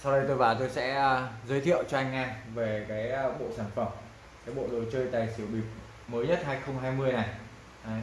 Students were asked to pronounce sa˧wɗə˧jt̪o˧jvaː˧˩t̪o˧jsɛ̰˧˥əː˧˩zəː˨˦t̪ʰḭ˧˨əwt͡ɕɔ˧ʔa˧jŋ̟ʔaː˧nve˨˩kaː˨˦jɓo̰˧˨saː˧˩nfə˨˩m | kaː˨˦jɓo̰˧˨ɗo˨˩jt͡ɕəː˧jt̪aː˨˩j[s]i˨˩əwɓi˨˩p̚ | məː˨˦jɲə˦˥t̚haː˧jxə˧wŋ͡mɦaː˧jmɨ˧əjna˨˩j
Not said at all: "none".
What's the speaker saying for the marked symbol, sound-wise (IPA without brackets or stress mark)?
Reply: s